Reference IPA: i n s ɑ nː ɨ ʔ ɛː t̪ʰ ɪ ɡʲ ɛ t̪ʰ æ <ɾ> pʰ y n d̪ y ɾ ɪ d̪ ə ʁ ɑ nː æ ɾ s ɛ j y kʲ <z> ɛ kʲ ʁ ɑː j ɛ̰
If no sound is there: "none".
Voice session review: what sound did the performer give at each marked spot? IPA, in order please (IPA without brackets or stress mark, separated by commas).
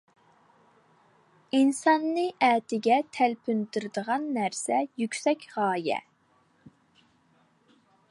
l, s